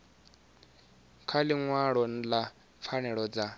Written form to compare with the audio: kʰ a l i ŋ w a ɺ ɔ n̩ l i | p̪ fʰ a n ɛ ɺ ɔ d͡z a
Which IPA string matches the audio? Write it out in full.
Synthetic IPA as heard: kʰ a l i ŋ w a ɺ ɔ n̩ l a | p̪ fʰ a n ɛ ɺ ɔ d͡z a